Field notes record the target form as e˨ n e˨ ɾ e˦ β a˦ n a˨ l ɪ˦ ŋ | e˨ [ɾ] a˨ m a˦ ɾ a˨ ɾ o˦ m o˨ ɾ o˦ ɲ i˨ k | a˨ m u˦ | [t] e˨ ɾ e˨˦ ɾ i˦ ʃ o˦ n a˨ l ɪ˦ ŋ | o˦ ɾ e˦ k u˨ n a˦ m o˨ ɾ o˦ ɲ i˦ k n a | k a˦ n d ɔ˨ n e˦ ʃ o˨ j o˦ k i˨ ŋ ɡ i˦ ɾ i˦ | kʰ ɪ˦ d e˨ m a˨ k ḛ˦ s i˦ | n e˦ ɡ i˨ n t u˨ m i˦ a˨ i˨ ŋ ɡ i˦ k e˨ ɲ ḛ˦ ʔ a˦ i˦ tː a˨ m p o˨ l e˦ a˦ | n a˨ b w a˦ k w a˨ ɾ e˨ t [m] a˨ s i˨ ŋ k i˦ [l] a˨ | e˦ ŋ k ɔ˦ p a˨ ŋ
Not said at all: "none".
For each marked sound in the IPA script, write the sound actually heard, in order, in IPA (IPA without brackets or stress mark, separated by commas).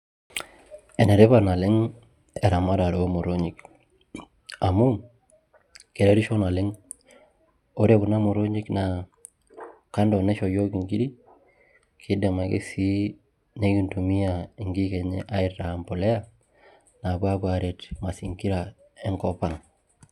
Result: ɾ, k, m, ɾ